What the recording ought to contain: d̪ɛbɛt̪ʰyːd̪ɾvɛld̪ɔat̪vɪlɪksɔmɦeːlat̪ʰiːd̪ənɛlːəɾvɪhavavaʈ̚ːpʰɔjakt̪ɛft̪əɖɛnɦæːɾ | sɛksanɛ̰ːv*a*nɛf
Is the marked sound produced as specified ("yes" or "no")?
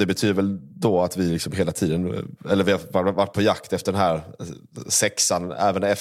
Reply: no